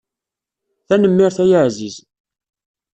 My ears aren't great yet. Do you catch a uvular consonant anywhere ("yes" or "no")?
no